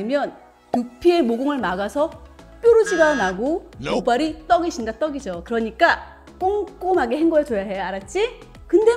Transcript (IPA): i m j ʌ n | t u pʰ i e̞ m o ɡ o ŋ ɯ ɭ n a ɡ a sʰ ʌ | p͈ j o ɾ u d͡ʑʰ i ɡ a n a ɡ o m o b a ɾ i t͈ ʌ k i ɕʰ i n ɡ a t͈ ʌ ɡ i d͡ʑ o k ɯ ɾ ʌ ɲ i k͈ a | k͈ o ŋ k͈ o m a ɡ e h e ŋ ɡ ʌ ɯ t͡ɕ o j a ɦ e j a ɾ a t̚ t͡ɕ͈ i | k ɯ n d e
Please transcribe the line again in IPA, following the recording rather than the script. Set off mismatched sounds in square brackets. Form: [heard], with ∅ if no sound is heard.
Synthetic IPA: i m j ʌ n | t u pʰ i e̞ m o ɡ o ŋ ɯ ɭ [m] a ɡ a sʰ ʌ | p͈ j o ɾ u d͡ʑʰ i ɡ a n a ɡ o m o b a ɾ i t͈ ʌ [ɡ] i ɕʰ i n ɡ a t͈ ʌ ɡ i d͡ʑ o k ɯ ɾ ʌ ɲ i k͈ a | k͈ o ŋ k͈ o m a ɡ e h e ŋ ɡ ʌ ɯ t͡ɕ o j a ɦ e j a ɾ a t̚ t͡ɕ͈ i | k ɯ n d e

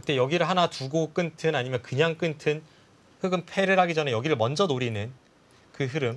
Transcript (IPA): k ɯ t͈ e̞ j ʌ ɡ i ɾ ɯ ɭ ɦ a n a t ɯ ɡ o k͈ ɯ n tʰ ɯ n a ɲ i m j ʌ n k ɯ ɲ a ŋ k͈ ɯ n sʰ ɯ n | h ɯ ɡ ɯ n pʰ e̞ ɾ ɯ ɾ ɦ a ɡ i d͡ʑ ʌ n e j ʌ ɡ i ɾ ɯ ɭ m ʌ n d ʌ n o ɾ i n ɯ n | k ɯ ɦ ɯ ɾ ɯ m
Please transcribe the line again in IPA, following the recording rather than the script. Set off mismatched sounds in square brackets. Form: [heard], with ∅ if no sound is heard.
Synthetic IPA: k ɯ t͈ e̞ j ʌ ɡ i ɾ ɯ ɭ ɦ a n a t [u] ɡ o k͈ ɯ n tʰ ɯ n a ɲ i m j ʌ n k ɯ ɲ a ŋ k͈ ɯ n [tʰ] ɯ n | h ɯ ɡ ɯ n pʰ e̞ ɾ ɯ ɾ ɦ a ɡ i d͡ʑ ʌ n e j ʌ ɡ i ɾ ɯ ɭ m ʌ n [d͡ʑ] ʌ n o ɾ i n ɯ n | k ɯ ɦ ɯ ɾ ɯ m

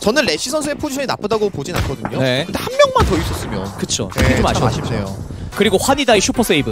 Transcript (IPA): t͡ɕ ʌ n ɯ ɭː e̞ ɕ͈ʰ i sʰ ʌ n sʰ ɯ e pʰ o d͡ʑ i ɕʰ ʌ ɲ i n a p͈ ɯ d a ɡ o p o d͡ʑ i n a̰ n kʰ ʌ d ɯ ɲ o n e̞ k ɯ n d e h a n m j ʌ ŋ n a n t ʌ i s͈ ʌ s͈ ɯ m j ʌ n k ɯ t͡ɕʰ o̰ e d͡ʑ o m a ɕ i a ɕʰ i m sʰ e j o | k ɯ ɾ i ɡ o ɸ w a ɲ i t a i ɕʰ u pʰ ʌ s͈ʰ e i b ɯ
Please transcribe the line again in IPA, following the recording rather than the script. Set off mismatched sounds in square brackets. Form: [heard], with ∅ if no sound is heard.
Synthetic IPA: t͡ɕ ʌ n ɯ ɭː e̞ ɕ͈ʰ i sʰ ʌ n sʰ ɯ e pʰ o d͡ʑ i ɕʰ ʌ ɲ i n a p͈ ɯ d a ɡ o p o d͡ʑ i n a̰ n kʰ ʌ d ɯ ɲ o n e̞ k ɯ n d e h a n m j ʌ ŋ [m] a n t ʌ i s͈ ʌ s͈ ɯ m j ʌ n k ɯ t͡ɕʰ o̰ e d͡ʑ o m a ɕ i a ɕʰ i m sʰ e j o | k ɯ ɾ i ɡ o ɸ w a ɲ i [d] a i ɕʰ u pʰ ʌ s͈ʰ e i b ɯ

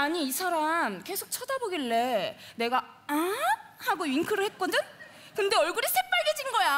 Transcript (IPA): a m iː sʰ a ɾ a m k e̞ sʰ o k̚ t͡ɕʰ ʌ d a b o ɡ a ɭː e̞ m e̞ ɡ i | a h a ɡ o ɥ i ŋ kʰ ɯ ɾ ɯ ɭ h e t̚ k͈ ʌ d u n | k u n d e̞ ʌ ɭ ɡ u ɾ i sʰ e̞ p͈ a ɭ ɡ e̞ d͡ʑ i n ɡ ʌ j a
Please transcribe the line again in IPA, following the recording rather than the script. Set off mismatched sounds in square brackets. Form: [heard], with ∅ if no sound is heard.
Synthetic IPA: a [ɲ] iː sʰ a ɾ a m k e̞ sʰ o k̚ t͡ɕʰ ʌ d a b o ɡ [i] ɭː e̞ [n] e̞ ɡ [a] | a h a ɡ o ɥ i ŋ kʰ ɯ ɾ ɯ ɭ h e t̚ k͈ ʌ d [ɯ] n | k [ɯ] n d e̞ ʌ ɭ ɡ u ɾ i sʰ e̞ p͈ a ɭ ɡ e̞ d͡ʑ i n ɡ ʌ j a

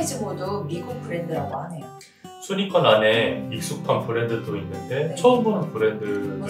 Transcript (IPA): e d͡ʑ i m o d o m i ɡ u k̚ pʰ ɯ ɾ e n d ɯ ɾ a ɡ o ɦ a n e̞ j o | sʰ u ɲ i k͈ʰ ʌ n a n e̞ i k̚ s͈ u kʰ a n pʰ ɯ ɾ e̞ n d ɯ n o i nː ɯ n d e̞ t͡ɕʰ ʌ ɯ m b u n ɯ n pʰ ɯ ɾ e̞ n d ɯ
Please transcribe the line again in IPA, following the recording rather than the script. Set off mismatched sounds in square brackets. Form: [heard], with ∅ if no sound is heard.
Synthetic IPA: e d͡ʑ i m o d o m i ɡ u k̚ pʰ ɯ ɾ e n d ɯ ɾ a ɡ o ɦ a n e̞ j o | sʰ u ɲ i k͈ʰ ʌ n a n e̞ i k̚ s͈ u kʰ a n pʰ ɯ ɾ e̞ n d ɯ [d] o i nː ɯ n d e̞ t͡ɕʰ ʌ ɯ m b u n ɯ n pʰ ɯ ɾ e̞ n d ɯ

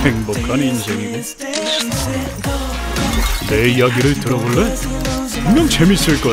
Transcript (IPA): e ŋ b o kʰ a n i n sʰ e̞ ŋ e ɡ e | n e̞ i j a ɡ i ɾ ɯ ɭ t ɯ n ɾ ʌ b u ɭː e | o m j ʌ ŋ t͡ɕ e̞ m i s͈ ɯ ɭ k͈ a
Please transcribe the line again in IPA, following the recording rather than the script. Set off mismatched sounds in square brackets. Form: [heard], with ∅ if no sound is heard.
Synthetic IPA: e ŋ b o kʰ a n i n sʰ e̞ ŋ [i] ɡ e | n e̞ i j a ɡ i ɾ ɯ ɭ t ɯ [∅] ɾ ʌ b [o] ɭː e | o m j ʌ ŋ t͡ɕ e̞ m i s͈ ɯ ɭ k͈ [ʌ]

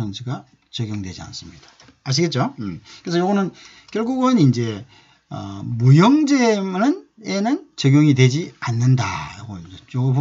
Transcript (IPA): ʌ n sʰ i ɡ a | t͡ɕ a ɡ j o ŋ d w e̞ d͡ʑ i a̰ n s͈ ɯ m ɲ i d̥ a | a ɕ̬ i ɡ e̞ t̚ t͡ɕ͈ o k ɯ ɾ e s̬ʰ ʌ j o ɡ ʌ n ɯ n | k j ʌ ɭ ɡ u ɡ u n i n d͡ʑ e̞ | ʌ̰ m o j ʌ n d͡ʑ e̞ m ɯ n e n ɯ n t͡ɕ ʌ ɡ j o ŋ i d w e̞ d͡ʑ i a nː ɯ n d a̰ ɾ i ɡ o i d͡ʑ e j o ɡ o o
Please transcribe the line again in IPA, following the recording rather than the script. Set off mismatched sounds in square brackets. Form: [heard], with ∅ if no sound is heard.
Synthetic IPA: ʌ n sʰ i ɡ a | t͡ɕ [ʌ] ɡ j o ŋ d w e̞ d͡ʑ i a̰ n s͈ ɯ m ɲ i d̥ a | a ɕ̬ i ɡ e̞ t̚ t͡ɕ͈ o k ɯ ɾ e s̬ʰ ʌ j o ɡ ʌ n ɯ n | k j ʌ ɭ ɡ u ɡ [ɯ] n i n d͡ʑ e̞ | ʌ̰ m [u] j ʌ [ŋ] d͡ʑ e̞ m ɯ n e n ɯ n t͡ɕ ʌ ɡ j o ŋ i d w e̞ d͡ʑ i a nː ɯ n d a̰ ɾ [a] ɡ o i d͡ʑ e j o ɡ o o

